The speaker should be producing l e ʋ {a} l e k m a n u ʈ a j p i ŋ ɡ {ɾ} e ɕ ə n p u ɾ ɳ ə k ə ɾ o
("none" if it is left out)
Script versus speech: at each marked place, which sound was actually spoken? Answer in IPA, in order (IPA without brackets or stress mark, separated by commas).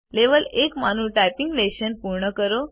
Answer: ə, l